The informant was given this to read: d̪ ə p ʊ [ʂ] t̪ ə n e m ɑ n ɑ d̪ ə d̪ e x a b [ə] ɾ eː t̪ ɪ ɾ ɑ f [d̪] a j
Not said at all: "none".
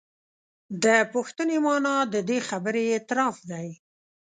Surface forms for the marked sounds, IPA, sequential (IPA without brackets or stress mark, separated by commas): x, ə, d̪